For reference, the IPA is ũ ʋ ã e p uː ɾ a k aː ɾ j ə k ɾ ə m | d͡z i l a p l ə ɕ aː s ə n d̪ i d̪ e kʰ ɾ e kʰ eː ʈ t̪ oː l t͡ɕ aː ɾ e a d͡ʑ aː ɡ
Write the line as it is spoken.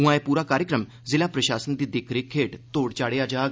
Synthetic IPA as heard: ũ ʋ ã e p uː ɾ a k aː ɾ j ə k ɾ ə m | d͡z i l a p ɾ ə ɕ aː s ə n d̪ i d̪ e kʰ ɾ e kʰ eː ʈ t̪ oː ɽ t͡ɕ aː ɽ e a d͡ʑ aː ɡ